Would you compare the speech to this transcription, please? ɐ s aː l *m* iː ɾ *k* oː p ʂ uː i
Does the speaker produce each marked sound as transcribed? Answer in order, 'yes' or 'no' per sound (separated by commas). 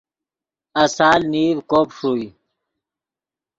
no, yes